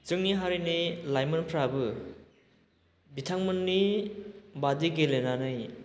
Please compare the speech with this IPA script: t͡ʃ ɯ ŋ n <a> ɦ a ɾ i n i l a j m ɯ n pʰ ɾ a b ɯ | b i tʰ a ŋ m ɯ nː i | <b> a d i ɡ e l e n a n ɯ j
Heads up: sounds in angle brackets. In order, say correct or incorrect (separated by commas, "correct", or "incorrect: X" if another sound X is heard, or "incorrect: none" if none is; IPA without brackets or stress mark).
incorrect: i, correct